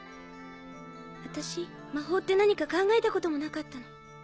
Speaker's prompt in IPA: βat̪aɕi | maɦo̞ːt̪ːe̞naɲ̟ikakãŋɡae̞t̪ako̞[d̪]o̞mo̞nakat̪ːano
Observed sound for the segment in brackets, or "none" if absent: t̪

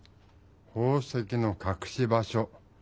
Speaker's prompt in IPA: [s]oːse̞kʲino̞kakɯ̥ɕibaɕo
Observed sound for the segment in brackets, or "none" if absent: h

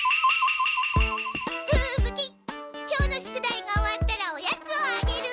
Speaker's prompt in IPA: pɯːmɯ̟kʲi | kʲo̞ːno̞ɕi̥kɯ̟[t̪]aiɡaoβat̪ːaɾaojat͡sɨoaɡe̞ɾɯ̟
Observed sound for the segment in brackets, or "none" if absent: d̪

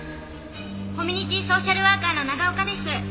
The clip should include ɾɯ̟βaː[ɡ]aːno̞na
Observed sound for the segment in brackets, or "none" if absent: k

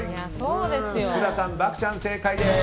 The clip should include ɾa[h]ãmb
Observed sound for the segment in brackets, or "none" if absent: s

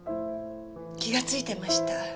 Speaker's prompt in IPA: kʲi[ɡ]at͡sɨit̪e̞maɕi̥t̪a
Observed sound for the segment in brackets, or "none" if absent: ɡ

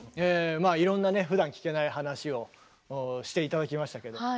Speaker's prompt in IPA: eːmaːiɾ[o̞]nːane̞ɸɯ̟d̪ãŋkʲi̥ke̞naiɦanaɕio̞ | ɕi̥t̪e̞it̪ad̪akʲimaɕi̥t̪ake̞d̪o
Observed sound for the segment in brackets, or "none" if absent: õ̞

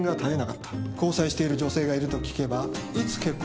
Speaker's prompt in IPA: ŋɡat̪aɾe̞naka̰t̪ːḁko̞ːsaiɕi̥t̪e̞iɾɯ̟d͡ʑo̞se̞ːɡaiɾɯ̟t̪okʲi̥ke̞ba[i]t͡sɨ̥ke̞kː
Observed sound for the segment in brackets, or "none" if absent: i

